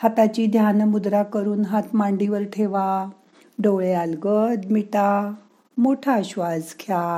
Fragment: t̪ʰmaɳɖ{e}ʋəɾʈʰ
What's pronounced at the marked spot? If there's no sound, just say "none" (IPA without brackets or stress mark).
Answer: i